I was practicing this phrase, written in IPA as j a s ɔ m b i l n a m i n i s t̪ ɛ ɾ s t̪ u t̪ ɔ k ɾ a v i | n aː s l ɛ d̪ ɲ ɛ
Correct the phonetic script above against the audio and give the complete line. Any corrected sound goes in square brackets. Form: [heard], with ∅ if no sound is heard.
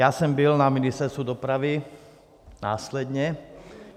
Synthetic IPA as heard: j a s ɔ m b i l n a m i n i s t̪ ɛ ɾ s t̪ u [d̪] ɔ [p] ɾ a [ʋ] i | n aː s l ɛ d̪ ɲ ɛ